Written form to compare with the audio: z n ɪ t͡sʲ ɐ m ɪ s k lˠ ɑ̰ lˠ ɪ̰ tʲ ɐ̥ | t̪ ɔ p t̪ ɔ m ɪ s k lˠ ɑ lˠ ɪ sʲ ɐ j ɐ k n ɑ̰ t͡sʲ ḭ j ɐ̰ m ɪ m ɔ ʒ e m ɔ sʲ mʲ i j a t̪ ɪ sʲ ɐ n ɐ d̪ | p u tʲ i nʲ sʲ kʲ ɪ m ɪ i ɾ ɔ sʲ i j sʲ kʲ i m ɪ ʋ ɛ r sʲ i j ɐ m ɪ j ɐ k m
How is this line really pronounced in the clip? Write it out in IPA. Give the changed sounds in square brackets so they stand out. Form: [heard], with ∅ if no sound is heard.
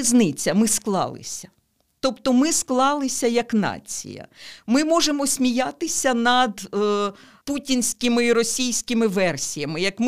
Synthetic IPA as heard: z n ɪ t͡sʲ ɐ m ɪ s k lˠ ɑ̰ lˠ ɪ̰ [sʲ] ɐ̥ | t̪ ɔ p t̪ ɔ m ɪ s k lˠ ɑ lˠ ɪ sʲ ɐ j ɐ k n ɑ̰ t͡sʲ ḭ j ɐ̰ m ɪ m ɔ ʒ e m ɔ sʲ mʲ i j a t̪ ɪ sʲ ɐ n ɐ d̪ | p u tʲ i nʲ sʲ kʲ ɪ m ɪ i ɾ ɔ sʲ i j sʲ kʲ [ɪ] m ɪ ʋ ɛ r sʲ i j ɐ m ɪ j ɐ k m